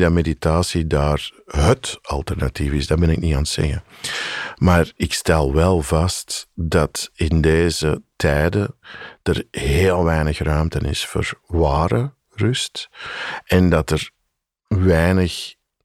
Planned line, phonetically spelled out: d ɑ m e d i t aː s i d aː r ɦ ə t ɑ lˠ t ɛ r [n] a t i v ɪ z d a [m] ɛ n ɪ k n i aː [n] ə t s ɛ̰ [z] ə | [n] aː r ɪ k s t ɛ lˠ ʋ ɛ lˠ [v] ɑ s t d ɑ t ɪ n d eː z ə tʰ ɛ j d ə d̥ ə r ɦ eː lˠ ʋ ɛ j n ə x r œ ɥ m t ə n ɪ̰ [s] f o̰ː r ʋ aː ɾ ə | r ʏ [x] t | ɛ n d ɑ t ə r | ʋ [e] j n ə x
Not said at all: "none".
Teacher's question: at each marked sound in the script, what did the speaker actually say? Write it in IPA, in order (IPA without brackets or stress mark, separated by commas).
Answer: n, b, n, ɣ, m, v, s, s, ɛ